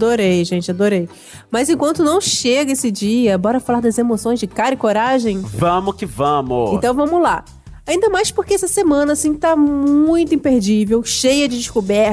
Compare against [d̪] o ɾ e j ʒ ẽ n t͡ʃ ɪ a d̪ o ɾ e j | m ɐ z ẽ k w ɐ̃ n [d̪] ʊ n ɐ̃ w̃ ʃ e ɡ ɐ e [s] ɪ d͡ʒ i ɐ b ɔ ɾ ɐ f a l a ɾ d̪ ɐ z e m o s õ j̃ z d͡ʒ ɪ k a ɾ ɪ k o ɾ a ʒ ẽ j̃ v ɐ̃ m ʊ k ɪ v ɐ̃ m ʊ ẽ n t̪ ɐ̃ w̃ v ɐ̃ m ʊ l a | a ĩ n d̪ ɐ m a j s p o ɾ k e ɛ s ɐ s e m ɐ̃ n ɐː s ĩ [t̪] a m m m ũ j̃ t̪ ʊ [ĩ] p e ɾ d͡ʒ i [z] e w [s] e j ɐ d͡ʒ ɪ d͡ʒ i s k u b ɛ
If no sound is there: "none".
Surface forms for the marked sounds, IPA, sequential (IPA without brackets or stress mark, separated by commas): d̪, t̪, s, t̪, ĩ, v, ʃ